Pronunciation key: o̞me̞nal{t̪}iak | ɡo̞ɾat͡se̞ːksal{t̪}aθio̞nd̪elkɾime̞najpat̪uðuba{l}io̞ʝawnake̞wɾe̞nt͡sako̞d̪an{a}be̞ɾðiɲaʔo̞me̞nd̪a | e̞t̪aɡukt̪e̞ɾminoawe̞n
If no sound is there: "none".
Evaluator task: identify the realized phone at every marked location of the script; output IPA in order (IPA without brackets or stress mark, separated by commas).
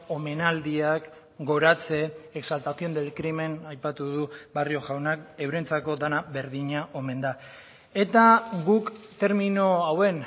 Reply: d̪, t̪, r, a